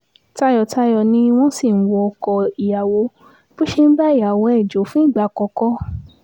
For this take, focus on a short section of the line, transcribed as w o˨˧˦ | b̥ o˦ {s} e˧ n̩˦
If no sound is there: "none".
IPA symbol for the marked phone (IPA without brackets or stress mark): ʃ